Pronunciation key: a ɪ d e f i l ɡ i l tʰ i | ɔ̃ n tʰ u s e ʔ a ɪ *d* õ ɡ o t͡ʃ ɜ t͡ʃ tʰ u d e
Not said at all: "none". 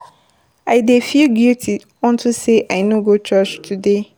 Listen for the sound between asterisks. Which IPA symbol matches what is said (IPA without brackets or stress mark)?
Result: n